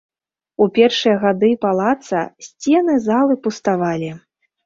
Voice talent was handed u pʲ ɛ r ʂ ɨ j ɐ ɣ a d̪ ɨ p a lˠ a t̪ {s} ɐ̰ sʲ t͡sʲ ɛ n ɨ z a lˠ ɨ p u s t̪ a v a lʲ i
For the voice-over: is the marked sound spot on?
yes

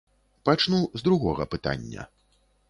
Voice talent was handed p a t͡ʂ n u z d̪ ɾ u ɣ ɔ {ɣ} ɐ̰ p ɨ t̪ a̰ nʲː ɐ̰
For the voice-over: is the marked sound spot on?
yes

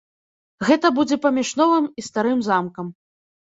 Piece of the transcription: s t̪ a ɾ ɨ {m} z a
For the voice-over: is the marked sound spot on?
yes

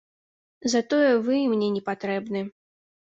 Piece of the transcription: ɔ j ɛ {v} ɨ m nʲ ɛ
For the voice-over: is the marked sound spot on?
yes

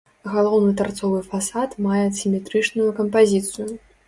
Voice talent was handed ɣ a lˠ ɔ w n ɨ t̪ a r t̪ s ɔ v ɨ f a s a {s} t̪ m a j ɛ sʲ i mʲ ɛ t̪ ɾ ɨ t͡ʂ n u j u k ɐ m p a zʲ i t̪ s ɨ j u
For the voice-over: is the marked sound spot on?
no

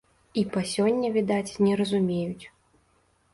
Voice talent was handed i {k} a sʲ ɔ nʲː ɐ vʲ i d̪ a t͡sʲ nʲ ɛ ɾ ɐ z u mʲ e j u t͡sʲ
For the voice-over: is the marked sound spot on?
no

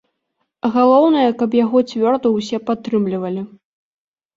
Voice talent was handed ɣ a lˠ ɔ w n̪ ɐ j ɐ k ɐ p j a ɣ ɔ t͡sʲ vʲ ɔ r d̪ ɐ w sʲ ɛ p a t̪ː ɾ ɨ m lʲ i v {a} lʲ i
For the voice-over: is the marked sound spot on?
no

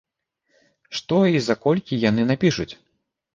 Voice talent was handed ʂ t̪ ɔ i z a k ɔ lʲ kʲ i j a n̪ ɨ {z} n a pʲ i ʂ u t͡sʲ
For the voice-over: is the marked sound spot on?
no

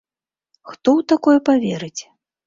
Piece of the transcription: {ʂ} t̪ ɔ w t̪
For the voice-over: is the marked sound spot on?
no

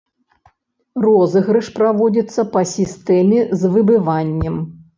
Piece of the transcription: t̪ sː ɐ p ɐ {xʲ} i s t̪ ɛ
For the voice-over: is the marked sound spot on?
no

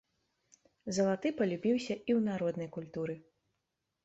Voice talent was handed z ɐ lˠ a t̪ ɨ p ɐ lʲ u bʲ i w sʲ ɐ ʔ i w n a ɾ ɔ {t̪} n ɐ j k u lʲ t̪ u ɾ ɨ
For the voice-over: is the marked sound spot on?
no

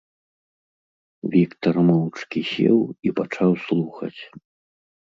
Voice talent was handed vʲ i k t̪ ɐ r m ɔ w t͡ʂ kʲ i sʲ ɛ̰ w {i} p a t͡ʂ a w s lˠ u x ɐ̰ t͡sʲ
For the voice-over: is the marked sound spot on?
yes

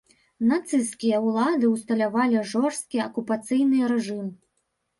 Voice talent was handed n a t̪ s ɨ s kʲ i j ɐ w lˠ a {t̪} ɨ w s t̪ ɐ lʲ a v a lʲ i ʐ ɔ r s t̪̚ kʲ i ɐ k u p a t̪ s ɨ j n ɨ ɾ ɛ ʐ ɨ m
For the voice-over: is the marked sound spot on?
no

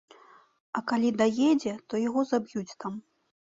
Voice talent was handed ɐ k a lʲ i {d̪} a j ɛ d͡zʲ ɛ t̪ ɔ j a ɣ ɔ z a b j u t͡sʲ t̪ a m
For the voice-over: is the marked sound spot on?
yes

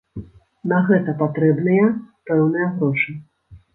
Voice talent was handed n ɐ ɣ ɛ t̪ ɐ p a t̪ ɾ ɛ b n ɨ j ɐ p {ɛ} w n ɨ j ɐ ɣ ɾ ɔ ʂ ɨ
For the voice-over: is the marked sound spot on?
yes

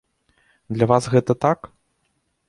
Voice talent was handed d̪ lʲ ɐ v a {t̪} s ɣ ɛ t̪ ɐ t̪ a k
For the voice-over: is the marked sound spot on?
no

